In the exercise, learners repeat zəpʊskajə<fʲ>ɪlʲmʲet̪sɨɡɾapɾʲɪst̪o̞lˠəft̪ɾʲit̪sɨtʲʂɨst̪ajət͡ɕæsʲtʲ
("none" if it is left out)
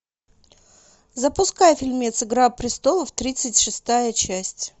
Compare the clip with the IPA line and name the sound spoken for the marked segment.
fʲ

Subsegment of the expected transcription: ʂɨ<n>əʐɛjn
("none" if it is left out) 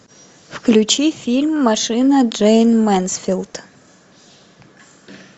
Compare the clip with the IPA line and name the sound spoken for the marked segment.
n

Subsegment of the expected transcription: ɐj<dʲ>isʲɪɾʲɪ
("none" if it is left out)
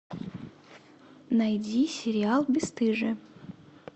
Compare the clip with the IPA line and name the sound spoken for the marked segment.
dʲ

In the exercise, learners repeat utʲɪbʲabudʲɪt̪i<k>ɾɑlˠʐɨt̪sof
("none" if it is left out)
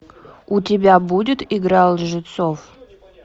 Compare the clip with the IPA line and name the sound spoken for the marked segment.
ɡ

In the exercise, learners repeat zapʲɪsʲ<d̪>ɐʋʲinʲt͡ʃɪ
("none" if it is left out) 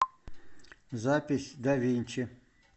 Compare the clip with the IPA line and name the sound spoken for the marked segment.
d̪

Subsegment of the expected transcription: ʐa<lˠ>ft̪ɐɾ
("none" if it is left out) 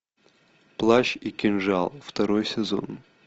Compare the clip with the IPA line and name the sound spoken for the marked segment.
lˠ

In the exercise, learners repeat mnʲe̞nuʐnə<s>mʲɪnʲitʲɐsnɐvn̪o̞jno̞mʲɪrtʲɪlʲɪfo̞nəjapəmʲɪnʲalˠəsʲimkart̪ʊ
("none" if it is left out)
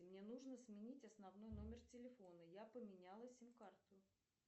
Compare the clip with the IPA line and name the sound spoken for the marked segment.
s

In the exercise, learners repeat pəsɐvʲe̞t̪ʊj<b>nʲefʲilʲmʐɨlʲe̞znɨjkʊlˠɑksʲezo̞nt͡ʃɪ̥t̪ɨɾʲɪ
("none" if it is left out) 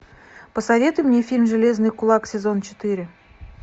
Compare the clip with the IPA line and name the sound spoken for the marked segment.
m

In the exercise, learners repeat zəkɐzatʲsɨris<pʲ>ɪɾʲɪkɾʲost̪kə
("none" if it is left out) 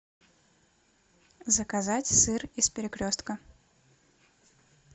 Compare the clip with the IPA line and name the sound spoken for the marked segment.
pʲ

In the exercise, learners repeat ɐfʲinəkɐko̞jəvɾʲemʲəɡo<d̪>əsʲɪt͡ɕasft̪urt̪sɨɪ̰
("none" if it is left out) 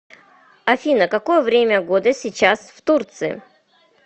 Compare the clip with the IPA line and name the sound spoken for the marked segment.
d̪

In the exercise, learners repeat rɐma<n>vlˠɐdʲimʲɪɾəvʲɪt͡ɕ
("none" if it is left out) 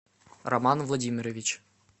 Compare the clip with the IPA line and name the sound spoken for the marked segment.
n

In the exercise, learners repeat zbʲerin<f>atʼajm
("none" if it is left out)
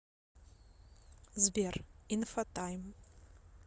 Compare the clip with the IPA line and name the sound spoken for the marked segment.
f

